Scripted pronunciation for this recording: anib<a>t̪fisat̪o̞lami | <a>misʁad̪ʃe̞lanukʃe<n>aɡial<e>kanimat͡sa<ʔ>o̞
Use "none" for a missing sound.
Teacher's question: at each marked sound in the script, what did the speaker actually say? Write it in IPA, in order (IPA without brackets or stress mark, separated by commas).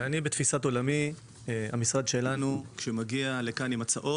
e, a, m, e, ʔ